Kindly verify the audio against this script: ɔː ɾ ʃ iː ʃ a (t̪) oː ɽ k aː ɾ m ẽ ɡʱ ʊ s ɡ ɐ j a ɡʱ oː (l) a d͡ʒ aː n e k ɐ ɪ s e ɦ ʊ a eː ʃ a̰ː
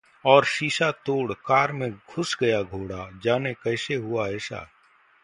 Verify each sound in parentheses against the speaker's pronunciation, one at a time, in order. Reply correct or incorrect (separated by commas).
correct, incorrect